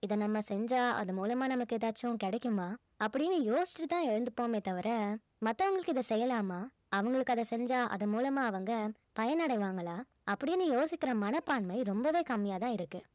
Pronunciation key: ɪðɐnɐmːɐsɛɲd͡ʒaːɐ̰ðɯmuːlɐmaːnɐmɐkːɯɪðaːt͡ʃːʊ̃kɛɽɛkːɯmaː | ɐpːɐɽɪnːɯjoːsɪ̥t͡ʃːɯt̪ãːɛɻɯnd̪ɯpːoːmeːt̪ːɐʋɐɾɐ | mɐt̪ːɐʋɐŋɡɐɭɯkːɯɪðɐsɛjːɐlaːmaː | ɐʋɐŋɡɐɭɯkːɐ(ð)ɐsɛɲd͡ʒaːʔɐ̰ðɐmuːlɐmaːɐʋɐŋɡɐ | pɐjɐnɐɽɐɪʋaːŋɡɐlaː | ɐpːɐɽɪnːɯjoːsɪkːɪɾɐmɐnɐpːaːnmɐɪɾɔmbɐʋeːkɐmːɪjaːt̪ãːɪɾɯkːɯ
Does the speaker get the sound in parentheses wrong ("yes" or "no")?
no